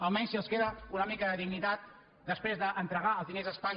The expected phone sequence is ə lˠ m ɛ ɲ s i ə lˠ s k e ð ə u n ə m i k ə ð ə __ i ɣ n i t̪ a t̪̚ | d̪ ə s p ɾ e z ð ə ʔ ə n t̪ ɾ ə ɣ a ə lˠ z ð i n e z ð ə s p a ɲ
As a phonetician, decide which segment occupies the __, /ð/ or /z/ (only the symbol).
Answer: ð